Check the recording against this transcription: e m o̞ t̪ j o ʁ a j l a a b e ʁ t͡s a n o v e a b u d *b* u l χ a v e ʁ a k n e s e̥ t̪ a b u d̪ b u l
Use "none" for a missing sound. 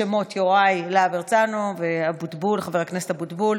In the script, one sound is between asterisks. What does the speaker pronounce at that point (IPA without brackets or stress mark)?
b